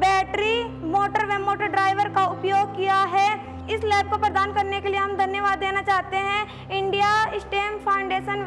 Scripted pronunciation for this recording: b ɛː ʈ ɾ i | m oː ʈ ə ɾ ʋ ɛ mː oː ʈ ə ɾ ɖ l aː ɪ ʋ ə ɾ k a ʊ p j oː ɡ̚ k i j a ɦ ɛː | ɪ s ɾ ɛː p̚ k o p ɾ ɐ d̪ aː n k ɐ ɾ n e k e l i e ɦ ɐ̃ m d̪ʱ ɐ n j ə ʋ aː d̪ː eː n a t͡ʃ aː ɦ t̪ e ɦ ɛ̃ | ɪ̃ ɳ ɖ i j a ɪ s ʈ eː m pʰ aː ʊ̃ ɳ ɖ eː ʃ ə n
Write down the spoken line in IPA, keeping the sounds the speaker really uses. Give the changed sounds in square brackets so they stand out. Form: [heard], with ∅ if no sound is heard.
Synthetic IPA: b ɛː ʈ ɾ i | m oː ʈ ə ɾ ʋ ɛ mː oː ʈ ə ɾ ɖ [ɾ] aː ɪ ʋ ə ɾ k a ʊ p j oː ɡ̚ k i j a ɦ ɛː | ɪ s [l] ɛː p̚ k o p ɾ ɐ d̪ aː n k ɐ ɾ n e k e l i e ɦ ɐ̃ m d̪ʱ ɐ n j ə ʋ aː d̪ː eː n a t͡ʃ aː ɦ t̪ e ɦ ɛ̃ | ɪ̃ ɳ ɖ i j a ɪ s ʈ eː m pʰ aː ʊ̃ ɳ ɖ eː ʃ ə n